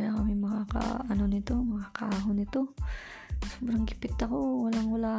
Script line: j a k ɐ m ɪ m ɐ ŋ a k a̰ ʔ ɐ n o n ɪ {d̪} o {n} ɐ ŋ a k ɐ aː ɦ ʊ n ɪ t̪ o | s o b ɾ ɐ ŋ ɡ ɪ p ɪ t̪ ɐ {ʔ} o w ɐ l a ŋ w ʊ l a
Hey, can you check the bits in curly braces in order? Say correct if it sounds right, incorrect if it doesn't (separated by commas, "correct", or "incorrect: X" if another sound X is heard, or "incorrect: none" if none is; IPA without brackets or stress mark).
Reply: incorrect: t̪, incorrect: m, incorrect: k